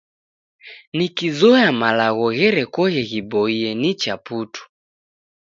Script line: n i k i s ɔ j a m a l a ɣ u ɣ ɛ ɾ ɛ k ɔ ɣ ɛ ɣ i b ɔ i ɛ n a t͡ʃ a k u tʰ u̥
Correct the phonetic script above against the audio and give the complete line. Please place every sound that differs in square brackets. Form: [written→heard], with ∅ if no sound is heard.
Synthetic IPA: n i k i [s→z] ɔ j a m a l a ɣ [u→ɔ] ɣ ɛ ɾ ɛ k ɔ ɣ ɛ ɣ i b ɔ i ɛ n [a→i] t͡ʃ a [k→p] u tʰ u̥